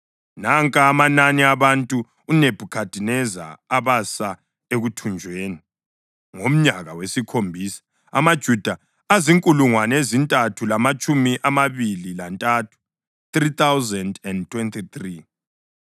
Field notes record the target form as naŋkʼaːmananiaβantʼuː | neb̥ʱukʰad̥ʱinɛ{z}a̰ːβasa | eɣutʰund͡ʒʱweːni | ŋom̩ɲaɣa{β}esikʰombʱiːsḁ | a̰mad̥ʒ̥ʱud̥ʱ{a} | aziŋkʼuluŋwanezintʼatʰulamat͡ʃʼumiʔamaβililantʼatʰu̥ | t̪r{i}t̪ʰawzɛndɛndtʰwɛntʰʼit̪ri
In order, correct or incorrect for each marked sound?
correct, incorrect: w, correct, correct

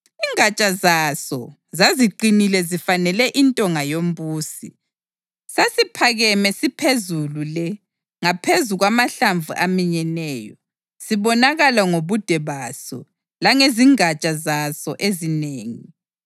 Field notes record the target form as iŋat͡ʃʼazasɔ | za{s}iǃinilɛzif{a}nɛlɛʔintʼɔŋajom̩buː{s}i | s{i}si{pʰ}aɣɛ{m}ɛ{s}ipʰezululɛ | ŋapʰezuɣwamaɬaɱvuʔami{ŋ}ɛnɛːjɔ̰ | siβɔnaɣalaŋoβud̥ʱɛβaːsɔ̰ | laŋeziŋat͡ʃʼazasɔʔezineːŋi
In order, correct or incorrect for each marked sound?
incorrect: z, correct, correct, incorrect: a, correct, correct, correct, incorrect: ɲ

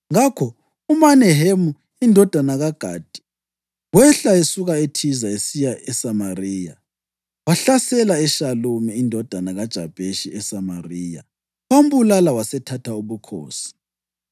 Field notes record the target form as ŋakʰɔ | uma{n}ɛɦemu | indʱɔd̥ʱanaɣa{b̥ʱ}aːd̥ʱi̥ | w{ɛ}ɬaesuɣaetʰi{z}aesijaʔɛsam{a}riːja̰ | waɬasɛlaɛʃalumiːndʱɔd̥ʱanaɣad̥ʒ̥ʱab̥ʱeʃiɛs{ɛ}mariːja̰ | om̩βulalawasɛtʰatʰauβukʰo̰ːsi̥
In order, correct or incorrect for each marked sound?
correct, incorrect: ɡ̥ʱ, correct, correct, correct, incorrect: a

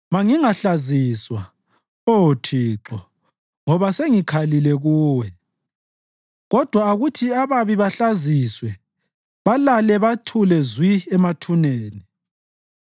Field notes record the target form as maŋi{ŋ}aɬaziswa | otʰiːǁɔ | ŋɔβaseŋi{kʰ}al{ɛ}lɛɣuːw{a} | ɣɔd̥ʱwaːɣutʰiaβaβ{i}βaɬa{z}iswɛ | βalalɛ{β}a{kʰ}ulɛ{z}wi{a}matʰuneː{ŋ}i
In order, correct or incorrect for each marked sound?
correct, correct, incorrect: i, incorrect: ɛ, correct, correct, correct, incorrect: tʰ, correct, incorrect: ɛ, incorrect: n

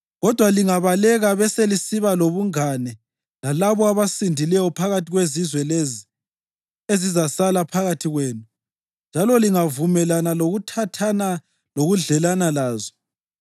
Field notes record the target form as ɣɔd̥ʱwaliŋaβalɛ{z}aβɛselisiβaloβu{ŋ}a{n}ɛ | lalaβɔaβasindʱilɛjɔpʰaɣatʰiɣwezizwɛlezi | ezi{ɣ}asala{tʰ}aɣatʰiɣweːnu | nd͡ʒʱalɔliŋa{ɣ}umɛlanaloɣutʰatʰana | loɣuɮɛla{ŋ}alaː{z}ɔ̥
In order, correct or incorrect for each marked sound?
incorrect: ɣ, correct, correct, incorrect: z, incorrect: pʰ, incorrect: v, incorrect: n, correct

